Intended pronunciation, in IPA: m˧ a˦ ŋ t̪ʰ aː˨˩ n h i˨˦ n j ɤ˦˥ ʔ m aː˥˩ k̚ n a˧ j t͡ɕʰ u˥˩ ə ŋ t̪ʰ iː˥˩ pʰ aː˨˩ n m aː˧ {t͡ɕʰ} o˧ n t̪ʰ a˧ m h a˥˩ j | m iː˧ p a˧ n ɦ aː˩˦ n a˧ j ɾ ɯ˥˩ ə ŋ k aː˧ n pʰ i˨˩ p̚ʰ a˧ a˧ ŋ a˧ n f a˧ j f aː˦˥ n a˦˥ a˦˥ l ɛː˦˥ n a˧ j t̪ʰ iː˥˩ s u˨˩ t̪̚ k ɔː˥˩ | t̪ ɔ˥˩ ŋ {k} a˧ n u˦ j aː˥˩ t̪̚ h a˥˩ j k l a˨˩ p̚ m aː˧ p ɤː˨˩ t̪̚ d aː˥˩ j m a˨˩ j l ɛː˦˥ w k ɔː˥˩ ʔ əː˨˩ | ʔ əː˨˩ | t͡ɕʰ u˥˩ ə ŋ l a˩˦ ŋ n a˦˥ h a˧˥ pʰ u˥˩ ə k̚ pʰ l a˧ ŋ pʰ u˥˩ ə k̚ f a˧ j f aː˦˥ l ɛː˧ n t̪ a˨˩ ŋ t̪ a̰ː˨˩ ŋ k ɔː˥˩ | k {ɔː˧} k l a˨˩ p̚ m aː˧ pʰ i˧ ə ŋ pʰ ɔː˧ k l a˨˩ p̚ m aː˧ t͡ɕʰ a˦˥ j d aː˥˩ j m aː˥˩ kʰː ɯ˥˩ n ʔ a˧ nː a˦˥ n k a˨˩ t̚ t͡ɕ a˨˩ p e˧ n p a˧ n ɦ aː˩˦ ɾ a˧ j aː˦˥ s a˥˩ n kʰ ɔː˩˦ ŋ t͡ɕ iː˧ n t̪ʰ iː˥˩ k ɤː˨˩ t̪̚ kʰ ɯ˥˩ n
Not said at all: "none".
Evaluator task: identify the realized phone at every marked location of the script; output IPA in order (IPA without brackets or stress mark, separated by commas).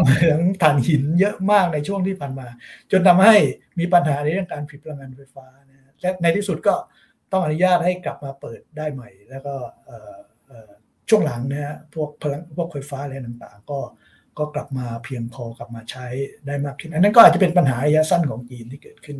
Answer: t͡ɕ, ʔ, ɔː˥˩